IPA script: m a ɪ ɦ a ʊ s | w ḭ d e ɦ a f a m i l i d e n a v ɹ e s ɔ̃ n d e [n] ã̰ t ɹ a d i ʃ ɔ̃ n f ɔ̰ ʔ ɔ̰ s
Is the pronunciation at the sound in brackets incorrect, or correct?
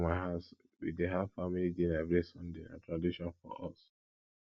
correct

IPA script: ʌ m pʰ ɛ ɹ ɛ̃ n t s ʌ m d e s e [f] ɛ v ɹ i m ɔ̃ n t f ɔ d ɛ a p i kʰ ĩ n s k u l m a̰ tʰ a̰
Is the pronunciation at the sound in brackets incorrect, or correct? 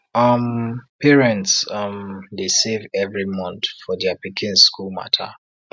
incorrect: v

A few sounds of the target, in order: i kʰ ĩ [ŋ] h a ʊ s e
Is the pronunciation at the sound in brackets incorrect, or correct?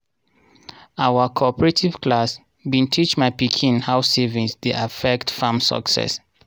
incorrect: n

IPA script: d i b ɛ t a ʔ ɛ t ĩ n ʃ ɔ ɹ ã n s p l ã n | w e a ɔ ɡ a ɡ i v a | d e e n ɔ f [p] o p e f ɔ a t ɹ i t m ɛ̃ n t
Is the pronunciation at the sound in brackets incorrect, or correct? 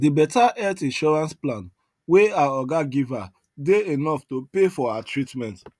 incorrect: t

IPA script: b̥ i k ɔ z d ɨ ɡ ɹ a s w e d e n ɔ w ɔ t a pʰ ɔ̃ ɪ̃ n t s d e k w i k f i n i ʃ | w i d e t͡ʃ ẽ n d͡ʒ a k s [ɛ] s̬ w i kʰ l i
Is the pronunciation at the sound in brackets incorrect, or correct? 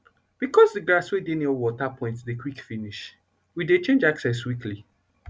correct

